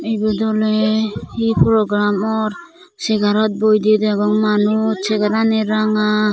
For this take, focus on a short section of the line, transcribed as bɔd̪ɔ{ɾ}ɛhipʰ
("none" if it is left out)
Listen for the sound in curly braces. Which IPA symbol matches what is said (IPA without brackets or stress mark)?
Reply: l